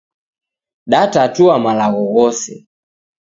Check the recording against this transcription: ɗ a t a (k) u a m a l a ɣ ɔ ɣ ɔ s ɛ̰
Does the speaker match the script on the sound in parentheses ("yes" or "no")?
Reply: no